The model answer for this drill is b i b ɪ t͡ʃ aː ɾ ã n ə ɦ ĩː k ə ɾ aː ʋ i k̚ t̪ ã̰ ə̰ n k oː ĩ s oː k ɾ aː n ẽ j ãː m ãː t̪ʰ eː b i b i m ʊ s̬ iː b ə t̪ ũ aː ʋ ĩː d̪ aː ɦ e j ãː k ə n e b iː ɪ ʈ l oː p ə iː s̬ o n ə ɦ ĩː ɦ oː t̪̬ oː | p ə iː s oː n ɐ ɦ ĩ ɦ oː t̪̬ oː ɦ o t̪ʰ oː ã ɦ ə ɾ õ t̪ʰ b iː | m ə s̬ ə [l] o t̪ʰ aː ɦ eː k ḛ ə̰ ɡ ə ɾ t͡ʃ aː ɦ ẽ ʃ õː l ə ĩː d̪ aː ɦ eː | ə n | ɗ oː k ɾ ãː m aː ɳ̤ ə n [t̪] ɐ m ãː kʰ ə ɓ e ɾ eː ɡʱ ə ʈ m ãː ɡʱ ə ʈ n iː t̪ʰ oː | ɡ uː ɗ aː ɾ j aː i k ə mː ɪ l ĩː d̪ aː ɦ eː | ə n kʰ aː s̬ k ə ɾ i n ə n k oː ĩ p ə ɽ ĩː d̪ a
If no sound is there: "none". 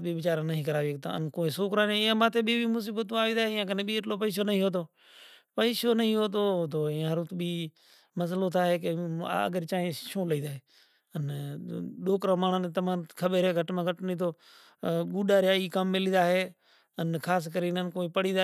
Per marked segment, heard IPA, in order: l, t̪

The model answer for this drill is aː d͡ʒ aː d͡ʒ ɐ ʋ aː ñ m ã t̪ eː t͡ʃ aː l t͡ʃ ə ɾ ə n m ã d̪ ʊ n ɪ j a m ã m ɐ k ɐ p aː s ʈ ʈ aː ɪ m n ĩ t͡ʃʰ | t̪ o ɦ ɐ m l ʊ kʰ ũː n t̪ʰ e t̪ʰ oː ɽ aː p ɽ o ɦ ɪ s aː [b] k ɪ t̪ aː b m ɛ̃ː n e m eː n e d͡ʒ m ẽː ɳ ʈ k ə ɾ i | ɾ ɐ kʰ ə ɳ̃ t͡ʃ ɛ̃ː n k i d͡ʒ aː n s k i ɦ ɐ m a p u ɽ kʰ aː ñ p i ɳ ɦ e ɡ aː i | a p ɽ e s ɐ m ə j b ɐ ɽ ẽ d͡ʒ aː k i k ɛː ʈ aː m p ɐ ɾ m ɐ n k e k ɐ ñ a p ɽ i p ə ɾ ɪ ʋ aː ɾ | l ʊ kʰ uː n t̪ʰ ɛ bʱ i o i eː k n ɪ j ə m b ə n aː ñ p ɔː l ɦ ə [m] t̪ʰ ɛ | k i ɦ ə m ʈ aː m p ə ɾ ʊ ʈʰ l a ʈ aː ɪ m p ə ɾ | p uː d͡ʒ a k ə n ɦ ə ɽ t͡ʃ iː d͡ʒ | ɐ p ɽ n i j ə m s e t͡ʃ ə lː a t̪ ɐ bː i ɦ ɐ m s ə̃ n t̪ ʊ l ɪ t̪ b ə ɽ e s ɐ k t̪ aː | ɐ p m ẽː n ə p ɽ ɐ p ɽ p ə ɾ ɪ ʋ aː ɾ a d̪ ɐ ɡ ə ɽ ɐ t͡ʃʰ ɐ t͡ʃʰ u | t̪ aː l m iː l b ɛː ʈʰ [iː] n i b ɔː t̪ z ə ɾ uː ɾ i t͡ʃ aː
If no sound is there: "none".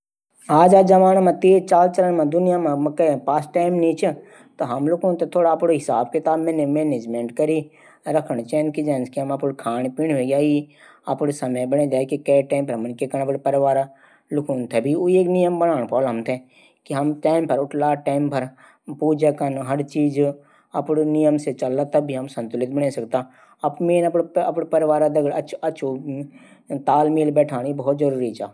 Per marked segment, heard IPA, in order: b, m, aː

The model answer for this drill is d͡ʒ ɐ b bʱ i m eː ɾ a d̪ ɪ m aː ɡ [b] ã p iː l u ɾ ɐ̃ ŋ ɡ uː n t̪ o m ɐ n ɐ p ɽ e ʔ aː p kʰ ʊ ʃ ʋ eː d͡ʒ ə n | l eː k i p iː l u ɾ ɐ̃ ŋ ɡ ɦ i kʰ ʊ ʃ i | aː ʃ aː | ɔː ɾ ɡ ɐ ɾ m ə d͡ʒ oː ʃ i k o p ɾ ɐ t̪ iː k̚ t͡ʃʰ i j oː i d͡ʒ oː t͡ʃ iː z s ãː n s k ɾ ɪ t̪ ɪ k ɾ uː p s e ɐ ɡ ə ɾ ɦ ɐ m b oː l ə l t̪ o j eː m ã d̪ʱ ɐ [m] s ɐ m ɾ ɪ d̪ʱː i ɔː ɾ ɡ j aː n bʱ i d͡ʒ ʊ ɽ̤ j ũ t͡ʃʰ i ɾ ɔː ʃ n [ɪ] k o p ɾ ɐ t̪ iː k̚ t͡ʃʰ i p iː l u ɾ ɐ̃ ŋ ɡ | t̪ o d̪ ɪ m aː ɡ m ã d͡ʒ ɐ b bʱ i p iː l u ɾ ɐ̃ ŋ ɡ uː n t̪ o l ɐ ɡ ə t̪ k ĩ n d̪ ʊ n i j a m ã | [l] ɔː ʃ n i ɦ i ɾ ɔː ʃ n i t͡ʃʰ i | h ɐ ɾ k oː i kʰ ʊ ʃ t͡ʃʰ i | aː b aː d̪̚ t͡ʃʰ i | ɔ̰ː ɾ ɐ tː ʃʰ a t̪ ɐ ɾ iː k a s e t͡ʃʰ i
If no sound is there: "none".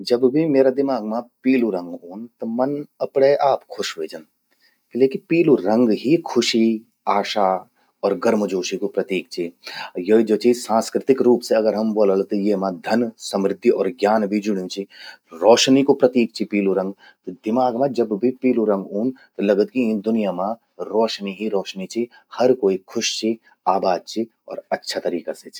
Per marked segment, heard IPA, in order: m, n, i, ɾ

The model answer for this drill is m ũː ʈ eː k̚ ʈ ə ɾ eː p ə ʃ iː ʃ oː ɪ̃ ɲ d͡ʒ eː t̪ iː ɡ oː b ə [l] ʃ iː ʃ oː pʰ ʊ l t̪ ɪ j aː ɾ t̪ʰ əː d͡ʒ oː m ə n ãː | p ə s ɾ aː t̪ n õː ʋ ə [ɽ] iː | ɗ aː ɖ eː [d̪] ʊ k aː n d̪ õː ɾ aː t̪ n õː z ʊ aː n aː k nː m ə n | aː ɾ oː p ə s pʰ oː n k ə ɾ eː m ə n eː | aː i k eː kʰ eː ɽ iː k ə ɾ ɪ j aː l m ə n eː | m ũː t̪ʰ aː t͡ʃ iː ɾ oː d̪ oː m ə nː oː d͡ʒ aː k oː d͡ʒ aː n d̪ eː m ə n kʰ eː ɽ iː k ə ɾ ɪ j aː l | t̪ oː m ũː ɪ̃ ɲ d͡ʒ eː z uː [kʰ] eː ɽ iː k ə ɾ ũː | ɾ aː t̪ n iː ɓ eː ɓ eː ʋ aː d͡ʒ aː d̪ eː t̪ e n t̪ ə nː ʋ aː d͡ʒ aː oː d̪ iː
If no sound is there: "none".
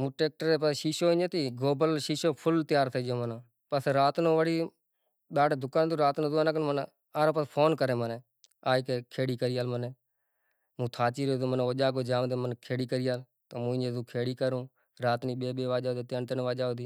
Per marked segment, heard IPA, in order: l, ɽ, d̪, kʰ

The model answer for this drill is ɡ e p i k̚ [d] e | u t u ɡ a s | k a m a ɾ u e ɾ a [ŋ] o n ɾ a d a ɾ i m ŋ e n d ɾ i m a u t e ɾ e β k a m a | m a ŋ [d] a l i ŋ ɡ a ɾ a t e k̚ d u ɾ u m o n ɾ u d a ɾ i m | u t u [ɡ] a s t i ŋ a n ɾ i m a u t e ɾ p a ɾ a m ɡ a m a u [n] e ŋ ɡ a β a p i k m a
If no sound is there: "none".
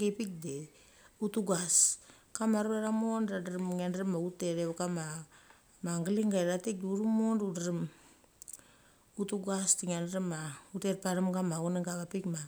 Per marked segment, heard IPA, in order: d, m, ɡ, ɡ, n

